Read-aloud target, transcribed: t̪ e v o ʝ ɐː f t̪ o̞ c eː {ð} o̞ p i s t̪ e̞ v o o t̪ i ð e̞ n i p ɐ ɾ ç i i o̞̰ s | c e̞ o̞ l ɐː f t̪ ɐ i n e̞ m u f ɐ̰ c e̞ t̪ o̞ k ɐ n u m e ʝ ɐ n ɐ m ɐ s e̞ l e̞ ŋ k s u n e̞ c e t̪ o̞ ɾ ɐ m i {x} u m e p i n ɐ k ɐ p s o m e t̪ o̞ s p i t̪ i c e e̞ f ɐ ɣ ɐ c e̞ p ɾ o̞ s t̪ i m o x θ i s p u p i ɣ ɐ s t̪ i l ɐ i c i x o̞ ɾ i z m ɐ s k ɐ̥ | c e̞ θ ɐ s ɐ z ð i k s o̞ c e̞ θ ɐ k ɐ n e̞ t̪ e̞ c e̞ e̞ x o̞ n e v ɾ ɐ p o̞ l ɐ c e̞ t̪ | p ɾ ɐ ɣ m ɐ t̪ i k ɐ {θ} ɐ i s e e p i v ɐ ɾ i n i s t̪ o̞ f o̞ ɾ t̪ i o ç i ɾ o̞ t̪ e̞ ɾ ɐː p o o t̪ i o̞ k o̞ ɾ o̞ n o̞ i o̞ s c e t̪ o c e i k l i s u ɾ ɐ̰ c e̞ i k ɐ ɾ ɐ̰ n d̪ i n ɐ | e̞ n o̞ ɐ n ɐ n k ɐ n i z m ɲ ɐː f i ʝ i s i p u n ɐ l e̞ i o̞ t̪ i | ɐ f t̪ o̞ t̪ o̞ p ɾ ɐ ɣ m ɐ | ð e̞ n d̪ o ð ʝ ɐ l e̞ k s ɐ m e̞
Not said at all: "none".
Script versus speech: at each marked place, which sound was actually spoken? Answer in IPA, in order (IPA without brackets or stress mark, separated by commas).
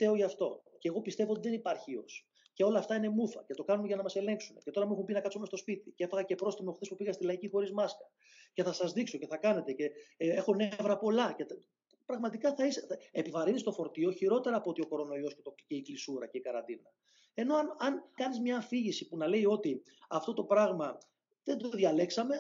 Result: ɣ, x, θ